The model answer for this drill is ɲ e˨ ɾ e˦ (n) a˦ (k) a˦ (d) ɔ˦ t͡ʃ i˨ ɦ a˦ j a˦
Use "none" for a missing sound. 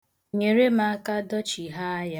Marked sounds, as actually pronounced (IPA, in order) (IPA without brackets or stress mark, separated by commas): m, k, d